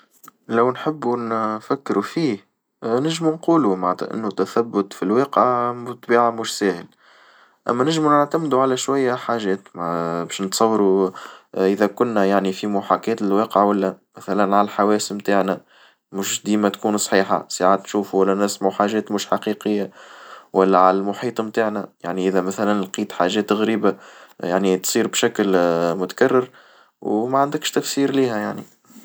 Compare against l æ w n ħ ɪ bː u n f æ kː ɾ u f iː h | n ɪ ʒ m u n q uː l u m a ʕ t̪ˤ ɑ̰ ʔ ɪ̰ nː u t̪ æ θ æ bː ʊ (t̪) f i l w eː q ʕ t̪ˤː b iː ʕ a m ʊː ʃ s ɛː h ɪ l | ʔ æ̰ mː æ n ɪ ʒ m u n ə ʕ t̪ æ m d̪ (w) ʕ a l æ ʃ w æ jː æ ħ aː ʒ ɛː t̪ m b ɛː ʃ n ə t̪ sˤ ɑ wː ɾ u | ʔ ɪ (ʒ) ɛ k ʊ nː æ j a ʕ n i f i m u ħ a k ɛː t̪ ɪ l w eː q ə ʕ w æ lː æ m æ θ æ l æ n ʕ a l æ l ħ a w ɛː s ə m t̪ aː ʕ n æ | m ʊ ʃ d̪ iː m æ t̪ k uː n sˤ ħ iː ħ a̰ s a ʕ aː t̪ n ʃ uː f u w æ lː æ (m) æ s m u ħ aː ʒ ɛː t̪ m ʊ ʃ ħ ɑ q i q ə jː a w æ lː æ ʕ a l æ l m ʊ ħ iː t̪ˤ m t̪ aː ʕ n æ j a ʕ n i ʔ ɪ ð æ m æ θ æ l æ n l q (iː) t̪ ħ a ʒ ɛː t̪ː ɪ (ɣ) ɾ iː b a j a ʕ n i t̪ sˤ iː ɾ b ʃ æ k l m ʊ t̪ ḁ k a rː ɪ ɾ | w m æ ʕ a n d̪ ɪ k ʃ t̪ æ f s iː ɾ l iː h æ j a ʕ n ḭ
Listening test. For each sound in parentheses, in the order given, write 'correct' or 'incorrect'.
correct, incorrect: u, incorrect: ð, incorrect: n, correct, correct

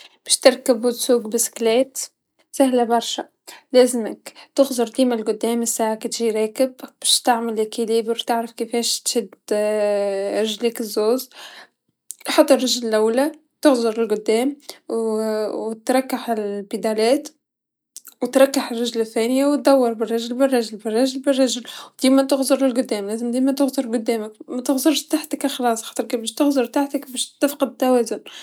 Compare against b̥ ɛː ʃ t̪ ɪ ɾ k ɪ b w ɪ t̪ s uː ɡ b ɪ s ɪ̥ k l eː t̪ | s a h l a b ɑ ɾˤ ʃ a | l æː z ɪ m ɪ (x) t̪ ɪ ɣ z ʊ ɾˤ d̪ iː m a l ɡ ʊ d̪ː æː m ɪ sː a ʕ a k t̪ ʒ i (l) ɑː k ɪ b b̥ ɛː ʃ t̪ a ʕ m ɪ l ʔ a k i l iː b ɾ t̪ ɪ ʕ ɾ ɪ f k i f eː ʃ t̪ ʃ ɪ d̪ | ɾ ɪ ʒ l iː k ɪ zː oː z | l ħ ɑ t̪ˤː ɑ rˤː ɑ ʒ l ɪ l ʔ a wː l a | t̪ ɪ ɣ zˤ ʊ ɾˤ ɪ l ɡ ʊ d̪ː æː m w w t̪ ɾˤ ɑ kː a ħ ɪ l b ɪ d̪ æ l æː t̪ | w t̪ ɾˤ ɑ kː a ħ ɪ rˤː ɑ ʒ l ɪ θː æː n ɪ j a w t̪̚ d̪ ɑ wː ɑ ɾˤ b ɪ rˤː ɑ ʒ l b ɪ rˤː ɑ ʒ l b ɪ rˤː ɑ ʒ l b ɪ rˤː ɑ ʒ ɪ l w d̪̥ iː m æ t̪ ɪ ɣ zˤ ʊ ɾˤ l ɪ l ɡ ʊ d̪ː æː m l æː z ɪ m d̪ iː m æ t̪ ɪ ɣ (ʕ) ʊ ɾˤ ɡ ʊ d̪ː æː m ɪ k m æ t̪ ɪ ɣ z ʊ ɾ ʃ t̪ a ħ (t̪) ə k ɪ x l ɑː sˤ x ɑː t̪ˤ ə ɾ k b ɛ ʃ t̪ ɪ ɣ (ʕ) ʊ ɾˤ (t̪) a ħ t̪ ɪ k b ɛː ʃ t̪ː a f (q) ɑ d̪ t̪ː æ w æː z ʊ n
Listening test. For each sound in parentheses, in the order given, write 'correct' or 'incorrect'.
incorrect: k, incorrect: ɾ, incorrect: z, correct, incorrect: z, correct, correct

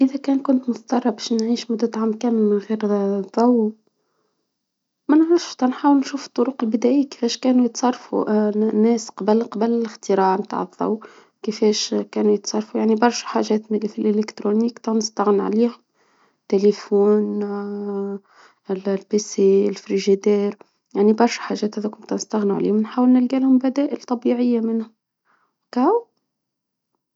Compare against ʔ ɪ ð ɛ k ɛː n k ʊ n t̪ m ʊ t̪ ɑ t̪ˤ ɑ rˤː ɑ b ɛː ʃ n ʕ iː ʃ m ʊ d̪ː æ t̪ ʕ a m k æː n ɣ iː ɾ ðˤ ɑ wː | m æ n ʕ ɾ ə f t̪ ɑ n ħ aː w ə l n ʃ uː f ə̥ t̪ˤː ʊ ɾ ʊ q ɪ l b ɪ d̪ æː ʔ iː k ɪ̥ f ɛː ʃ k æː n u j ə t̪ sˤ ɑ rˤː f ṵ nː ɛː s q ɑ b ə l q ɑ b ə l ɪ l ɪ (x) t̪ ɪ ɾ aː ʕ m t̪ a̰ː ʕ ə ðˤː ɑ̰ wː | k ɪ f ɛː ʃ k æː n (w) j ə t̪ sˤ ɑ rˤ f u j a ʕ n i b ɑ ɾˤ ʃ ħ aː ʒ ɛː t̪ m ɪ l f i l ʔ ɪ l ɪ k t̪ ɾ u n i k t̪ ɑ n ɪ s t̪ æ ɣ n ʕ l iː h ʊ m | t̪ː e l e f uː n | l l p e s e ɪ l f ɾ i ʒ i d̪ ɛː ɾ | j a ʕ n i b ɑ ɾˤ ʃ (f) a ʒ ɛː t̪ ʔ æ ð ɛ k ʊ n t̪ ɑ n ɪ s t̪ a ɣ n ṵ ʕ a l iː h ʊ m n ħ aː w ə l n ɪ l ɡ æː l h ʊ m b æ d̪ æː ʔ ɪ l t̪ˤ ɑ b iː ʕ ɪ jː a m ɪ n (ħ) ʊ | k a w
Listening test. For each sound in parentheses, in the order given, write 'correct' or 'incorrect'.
correct, incorrect: u, incorrect: ħ, incorrect: h

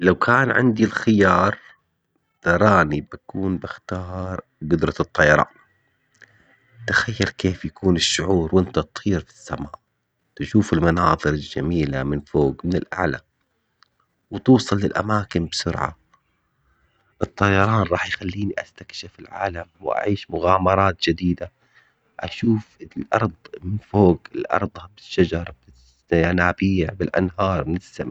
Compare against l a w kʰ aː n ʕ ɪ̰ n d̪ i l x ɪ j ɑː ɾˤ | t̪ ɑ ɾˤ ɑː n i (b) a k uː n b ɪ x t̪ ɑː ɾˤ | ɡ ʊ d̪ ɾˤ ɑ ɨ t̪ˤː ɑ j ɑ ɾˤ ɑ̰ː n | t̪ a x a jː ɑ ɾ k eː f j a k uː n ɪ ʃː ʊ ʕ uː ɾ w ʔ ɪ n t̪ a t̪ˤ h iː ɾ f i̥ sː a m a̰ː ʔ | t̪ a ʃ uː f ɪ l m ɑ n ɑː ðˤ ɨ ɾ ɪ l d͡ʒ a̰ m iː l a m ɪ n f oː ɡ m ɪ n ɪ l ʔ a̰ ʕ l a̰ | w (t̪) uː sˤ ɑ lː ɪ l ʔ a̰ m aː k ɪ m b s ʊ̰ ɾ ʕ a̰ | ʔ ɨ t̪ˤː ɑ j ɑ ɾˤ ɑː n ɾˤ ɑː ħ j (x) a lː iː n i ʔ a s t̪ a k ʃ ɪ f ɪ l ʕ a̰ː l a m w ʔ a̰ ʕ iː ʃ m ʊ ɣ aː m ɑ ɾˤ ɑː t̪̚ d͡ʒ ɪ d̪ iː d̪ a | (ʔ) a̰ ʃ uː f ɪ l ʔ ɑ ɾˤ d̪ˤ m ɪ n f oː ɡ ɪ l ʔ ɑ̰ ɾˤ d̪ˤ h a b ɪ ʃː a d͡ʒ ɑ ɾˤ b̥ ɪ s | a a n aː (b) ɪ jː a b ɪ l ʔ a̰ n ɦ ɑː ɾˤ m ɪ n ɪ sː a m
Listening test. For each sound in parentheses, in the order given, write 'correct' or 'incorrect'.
correct, correct, correct, correct, correct

